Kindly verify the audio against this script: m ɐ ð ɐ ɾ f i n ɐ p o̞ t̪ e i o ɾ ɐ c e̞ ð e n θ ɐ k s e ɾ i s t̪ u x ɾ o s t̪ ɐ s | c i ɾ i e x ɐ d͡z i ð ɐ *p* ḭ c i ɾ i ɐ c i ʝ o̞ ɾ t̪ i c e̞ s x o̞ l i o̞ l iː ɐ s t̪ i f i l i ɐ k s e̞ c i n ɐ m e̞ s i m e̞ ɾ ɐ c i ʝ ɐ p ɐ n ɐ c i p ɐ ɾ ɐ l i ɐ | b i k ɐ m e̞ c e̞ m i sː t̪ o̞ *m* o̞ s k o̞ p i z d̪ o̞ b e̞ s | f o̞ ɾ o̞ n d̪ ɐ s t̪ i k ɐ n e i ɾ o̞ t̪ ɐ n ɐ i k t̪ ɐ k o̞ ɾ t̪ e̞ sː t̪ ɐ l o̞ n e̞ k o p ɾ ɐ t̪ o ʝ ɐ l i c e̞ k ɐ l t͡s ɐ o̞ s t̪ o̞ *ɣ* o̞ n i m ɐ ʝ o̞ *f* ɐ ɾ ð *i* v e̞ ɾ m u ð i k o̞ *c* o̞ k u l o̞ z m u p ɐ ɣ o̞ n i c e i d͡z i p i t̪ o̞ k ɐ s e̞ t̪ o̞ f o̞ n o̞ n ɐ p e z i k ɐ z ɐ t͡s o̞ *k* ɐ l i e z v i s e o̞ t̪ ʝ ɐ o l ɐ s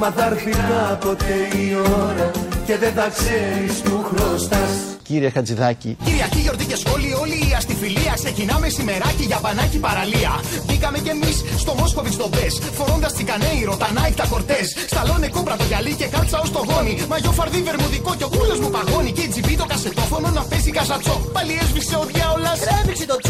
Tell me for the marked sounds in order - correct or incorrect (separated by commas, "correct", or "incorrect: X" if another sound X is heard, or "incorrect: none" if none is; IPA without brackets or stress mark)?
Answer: incorrect: c, correct, correct, correct, correct, correct, incorrect: p